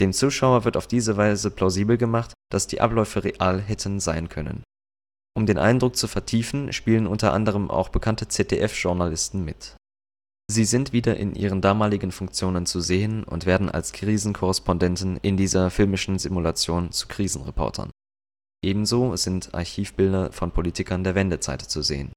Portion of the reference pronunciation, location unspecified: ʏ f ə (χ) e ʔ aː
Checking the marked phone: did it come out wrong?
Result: yes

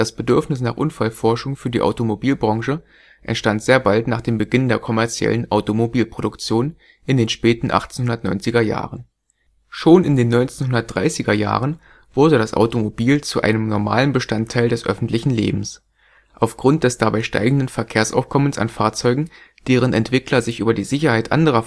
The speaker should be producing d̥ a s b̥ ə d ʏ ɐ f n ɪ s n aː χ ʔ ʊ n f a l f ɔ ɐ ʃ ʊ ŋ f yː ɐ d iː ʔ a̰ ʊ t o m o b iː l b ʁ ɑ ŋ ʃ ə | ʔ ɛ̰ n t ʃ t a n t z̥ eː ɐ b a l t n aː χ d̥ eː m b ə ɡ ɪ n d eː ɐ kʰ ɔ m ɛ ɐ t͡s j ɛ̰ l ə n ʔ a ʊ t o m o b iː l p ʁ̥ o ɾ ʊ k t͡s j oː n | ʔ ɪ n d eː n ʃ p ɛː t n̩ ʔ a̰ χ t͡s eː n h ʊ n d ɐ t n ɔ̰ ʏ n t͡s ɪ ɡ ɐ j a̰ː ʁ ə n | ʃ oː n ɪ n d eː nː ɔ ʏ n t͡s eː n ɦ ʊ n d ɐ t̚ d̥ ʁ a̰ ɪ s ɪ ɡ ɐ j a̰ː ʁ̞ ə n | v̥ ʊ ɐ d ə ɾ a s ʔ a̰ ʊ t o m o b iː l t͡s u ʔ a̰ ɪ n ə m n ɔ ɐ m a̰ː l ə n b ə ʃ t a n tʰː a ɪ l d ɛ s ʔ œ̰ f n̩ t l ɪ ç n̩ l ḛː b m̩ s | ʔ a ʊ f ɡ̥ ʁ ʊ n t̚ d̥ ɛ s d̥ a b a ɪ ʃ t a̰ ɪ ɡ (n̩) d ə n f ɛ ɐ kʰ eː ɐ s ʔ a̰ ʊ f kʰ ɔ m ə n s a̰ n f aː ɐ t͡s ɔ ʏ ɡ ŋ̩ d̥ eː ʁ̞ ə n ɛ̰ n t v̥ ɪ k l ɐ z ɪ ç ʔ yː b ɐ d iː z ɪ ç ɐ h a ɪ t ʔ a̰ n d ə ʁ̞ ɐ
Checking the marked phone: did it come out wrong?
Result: yes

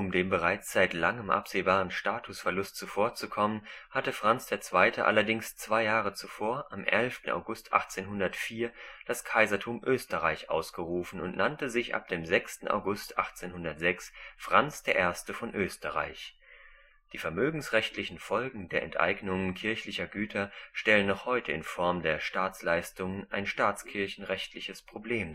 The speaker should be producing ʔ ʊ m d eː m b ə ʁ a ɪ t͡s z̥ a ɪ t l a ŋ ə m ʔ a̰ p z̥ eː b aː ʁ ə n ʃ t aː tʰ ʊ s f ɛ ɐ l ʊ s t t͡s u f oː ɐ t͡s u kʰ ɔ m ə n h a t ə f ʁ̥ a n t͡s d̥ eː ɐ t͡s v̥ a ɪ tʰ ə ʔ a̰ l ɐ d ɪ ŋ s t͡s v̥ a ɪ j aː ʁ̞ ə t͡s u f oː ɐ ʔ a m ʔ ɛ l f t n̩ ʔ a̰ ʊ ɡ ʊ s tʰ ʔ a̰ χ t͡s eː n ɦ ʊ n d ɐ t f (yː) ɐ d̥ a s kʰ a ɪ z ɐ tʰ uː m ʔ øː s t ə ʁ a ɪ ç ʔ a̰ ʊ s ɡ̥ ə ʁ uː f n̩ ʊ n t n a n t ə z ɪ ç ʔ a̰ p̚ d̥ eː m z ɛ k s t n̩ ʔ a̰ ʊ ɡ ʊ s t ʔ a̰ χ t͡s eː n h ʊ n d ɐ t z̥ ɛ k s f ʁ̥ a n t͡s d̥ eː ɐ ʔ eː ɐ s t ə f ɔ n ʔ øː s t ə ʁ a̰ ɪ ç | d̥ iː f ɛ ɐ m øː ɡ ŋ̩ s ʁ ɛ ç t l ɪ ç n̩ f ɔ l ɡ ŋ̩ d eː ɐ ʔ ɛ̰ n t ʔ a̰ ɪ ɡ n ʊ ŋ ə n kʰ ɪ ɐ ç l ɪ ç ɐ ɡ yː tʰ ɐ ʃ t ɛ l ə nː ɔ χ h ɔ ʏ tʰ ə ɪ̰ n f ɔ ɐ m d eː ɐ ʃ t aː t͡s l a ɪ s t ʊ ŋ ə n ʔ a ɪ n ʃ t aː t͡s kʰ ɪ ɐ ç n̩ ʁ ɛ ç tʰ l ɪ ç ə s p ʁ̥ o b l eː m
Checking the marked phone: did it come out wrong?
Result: yes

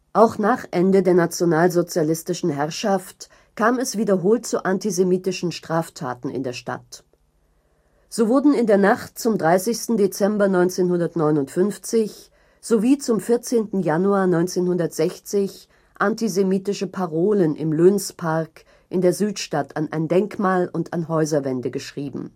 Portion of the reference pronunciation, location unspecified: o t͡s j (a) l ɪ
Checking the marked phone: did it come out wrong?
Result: no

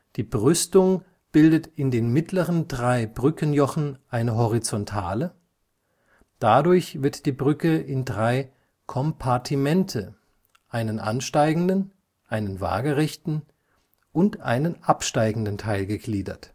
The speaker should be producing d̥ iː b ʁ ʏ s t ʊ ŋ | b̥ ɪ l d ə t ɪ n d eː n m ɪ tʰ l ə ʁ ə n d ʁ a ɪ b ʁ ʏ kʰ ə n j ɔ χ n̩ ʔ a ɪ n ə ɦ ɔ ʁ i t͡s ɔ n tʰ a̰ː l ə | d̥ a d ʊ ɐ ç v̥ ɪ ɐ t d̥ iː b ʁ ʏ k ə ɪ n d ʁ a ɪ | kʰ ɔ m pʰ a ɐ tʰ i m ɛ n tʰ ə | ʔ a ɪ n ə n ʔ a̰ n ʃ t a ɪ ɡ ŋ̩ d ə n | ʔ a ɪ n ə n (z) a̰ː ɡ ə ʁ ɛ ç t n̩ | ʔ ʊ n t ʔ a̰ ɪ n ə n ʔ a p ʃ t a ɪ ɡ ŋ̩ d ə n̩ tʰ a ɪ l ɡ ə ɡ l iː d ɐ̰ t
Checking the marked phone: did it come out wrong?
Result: yes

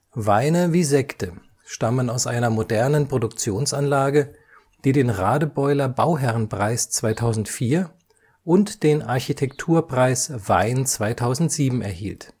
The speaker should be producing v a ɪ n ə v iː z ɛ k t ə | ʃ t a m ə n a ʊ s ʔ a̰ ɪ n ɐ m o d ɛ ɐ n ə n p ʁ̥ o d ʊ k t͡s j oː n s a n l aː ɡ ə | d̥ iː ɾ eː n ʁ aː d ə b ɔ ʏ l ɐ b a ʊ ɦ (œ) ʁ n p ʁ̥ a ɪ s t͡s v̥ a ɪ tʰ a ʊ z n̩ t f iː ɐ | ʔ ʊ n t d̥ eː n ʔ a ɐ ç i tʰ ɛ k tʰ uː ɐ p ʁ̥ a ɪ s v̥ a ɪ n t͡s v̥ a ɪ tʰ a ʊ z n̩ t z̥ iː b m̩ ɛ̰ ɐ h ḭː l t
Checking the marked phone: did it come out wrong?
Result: yes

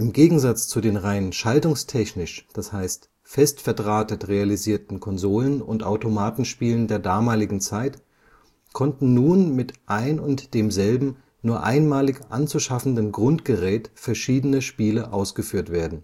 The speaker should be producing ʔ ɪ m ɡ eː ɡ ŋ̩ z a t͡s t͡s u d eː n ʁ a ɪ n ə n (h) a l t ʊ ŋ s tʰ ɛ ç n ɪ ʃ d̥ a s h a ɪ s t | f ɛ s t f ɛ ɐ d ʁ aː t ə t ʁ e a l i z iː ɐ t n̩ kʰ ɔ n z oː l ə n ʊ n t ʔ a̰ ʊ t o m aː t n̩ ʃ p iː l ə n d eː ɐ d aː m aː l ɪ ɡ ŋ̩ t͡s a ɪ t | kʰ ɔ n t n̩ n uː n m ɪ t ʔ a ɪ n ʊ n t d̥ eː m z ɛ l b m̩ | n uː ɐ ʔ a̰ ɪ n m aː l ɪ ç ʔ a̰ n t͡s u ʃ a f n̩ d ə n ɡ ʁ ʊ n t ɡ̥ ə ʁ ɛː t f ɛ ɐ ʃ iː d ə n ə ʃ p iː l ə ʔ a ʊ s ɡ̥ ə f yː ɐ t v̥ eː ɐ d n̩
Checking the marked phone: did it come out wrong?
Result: yes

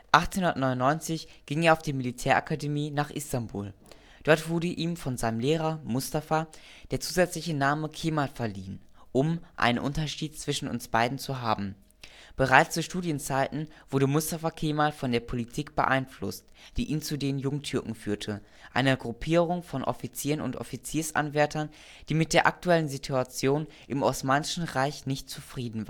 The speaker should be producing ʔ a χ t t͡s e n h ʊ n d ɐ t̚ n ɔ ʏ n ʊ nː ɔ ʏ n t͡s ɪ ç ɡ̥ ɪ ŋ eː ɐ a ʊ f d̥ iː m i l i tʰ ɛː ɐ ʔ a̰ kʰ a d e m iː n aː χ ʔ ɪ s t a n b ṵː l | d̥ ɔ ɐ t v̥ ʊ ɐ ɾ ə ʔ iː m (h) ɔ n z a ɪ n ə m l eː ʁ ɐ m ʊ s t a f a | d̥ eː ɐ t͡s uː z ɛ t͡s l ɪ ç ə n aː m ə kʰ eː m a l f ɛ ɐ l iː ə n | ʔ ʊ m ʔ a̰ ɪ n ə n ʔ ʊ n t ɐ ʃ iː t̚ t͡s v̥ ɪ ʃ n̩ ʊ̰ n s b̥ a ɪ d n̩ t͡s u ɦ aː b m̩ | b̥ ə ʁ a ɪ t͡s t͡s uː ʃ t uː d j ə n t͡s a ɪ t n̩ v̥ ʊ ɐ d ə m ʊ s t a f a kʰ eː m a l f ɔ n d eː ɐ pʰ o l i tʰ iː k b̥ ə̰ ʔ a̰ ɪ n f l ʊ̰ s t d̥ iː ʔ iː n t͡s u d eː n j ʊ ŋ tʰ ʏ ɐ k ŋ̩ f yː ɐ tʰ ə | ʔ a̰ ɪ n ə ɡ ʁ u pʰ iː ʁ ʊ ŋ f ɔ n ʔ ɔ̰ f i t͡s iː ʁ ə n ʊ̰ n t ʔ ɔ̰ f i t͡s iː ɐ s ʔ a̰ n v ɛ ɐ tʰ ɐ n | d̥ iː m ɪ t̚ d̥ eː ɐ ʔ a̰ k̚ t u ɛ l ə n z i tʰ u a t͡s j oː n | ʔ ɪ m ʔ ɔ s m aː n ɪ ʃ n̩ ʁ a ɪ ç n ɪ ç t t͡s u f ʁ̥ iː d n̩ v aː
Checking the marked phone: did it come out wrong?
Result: yes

